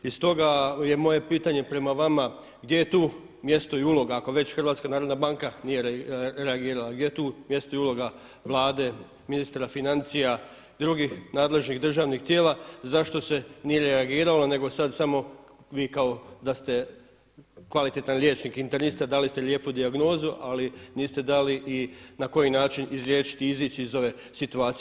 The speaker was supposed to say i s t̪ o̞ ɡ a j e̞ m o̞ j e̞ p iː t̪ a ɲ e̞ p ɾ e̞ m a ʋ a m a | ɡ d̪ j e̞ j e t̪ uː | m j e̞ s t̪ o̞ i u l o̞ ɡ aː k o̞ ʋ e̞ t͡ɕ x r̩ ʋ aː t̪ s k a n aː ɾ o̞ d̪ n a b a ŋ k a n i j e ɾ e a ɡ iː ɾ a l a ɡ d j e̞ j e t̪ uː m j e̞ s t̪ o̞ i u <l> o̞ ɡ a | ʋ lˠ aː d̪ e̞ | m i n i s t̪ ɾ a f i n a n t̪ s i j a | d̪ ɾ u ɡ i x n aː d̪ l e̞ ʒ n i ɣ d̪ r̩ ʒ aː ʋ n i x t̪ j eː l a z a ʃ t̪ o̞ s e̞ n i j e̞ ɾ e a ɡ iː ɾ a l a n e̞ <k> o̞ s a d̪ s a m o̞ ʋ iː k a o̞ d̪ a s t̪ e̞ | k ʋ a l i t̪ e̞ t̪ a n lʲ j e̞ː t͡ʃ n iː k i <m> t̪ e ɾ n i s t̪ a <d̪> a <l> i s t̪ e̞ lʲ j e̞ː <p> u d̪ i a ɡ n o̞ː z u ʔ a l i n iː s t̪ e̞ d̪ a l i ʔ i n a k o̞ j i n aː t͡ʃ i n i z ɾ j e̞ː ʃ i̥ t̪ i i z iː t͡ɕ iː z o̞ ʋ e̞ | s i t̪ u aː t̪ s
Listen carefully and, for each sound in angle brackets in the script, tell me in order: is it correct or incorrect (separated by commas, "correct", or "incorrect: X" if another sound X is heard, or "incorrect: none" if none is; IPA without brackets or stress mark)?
correct, incorrect: ɡ, incorrect: n, correct, correct, correct